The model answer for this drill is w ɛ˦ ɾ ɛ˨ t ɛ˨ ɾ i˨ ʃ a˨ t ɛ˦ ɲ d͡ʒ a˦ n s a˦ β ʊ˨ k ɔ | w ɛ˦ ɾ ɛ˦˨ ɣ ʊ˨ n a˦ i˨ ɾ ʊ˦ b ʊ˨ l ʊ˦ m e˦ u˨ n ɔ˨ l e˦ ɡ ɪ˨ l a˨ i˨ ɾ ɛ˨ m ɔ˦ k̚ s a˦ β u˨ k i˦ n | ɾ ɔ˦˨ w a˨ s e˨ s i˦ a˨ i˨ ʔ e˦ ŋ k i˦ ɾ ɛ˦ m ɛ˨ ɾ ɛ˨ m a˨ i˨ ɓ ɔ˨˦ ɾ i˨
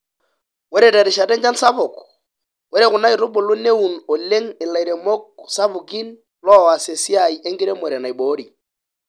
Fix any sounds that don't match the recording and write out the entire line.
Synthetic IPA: w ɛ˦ ɾ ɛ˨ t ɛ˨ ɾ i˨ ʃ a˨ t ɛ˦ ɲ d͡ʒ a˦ n s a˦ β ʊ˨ k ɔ | w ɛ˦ ɾ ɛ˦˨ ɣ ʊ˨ n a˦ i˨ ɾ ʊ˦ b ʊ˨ l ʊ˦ n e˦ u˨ n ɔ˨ l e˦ ŋ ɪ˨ l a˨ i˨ ɾ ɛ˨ m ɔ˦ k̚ s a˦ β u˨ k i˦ n | l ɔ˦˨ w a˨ s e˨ s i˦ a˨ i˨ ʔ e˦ ŋ ɡ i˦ ɾ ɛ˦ m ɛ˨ ɾ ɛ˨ n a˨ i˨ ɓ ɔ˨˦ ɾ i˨